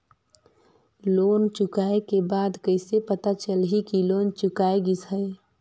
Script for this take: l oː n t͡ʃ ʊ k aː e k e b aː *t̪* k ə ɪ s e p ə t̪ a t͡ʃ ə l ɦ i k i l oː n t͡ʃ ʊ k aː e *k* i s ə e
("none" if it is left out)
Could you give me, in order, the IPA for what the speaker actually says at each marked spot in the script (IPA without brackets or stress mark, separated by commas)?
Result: d̪, ɡ